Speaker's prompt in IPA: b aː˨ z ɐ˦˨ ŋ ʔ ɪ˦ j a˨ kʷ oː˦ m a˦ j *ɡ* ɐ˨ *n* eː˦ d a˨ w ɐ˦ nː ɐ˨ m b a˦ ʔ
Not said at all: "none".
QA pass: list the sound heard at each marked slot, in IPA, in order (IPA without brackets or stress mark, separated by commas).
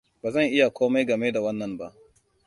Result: ɡ, m